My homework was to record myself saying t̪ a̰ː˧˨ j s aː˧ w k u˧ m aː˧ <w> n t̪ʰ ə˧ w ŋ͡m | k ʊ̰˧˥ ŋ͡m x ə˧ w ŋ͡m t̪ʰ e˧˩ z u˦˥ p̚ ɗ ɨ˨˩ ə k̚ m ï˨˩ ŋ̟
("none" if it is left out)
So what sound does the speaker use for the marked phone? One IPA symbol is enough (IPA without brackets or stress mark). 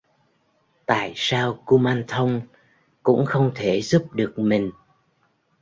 none